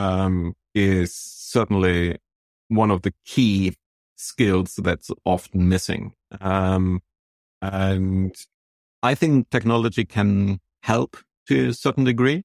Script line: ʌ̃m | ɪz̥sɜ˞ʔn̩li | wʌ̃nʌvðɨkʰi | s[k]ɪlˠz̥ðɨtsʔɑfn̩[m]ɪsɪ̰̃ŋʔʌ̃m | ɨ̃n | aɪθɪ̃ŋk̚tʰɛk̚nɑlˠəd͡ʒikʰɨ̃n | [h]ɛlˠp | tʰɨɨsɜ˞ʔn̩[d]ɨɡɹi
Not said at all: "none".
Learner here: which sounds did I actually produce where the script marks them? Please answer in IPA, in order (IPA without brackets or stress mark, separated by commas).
k, m, h, d